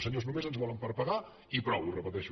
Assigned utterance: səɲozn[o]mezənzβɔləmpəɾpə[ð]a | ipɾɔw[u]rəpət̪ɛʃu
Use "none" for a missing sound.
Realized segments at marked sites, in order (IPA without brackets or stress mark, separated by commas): u, ɣ, u